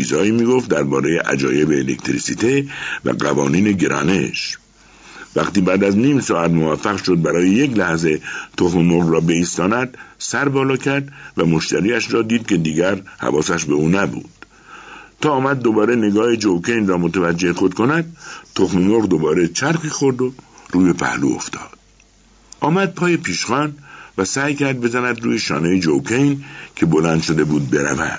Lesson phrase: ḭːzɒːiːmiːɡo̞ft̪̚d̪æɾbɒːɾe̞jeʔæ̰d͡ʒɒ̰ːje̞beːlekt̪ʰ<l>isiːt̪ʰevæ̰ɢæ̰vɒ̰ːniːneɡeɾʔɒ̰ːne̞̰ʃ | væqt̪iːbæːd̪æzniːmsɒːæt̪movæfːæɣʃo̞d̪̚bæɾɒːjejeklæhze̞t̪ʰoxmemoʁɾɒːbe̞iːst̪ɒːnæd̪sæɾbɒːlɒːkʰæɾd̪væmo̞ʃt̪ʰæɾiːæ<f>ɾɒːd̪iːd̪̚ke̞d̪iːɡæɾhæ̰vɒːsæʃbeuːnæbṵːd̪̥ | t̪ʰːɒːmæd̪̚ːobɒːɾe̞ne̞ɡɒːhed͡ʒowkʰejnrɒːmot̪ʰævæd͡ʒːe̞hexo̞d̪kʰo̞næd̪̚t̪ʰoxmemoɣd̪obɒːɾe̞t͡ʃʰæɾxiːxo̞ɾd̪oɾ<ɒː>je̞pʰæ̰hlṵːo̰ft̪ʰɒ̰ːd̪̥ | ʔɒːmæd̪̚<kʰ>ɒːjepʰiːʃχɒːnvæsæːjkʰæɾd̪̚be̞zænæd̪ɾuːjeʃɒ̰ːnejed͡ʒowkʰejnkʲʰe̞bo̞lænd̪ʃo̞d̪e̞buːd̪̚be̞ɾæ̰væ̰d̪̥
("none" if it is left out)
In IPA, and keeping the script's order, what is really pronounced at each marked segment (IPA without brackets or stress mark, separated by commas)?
ɾ, ʃ, uː, pʰ